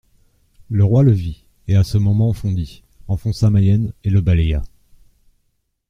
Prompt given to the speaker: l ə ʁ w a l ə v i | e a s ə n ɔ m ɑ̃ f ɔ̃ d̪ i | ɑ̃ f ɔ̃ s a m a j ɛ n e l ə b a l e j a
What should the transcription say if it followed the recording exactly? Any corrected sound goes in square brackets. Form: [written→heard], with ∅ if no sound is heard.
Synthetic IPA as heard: l ə ʁ w a l ə v i | e a s ə [n→m] ɔ m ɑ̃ f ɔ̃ d̪ i | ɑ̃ f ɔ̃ s a m a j ɛ n e l ə b a l e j a